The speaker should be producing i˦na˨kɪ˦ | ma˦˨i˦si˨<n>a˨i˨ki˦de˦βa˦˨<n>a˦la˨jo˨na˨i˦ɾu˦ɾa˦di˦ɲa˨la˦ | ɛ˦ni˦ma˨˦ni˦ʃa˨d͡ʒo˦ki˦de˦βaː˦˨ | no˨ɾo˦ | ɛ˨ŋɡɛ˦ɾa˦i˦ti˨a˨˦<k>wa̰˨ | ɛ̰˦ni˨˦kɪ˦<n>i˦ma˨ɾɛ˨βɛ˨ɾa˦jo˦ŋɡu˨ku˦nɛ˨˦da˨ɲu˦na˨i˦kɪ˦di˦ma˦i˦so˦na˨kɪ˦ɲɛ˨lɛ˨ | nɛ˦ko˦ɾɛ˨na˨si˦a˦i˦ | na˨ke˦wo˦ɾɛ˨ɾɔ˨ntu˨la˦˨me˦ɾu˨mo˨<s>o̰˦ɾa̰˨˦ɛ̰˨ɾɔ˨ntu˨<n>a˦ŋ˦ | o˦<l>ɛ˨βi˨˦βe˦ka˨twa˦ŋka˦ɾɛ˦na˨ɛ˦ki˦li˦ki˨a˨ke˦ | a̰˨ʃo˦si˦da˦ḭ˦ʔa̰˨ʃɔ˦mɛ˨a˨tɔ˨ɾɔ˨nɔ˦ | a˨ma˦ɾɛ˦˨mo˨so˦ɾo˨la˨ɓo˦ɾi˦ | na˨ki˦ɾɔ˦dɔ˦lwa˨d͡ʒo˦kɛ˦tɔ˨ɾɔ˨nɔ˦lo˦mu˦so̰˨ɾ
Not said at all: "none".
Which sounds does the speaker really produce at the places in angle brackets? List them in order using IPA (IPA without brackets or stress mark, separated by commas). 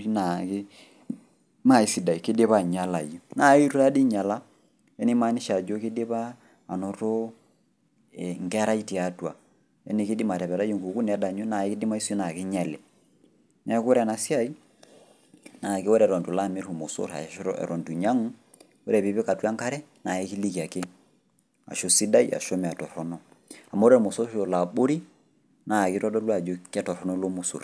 d, ɲ, t, d, s, ɲ, ɾ